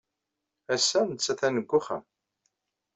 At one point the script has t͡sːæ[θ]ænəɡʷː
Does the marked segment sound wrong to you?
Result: no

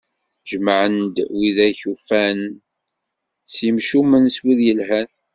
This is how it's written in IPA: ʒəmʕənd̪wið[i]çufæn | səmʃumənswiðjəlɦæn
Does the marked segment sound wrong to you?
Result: yes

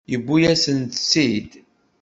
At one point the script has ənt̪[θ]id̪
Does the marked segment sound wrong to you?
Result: yes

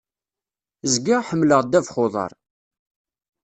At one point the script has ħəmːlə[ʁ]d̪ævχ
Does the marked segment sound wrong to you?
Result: no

